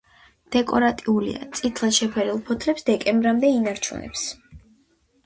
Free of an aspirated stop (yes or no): no